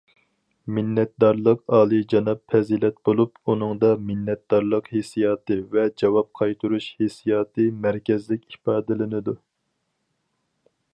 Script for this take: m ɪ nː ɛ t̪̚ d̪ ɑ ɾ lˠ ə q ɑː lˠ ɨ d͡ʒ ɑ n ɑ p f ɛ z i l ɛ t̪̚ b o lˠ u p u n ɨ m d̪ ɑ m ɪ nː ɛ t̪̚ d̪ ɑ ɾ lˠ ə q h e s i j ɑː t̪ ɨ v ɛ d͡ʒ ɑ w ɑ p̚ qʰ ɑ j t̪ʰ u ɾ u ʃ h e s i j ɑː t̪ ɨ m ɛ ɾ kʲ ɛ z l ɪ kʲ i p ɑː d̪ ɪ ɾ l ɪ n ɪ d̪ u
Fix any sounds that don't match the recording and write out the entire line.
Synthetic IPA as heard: m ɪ nː ɛ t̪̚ d̪ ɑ ɾ lˠ ə q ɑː lˠ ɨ d͡ʒ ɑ n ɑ p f ɛ z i l ɛ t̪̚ b o lˠ u p u n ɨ ŋ d̪ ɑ m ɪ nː ɛ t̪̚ d̪ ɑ ɾ lˠ ə q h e s i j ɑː t̪ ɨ v ɛ d͡ʒ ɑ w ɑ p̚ qʰ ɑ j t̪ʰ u ɾ u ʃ h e s i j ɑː t̪ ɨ m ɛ ɾ kʲ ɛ z l ɪ kʲ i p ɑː d̪ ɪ l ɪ n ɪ d̪ u